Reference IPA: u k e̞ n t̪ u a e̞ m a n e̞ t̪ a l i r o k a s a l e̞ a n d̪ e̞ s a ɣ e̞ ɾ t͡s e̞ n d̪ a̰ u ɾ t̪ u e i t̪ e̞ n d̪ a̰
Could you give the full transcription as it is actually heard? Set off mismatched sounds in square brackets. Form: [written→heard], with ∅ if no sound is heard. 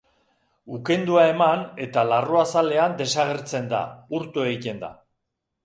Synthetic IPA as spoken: u k e̞ n [t̪→d̪] u a e̞ m a n e̞ t̪ a l [i→a] r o [k→∅] a s a l e̞ a n d̪ e̞ s a ɣ e̞ ɾ t͡s e̞ n d̪ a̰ u ɾ t̪ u e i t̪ e̞ n d̪ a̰